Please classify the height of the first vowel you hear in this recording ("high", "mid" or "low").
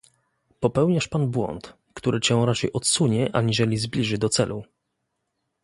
mid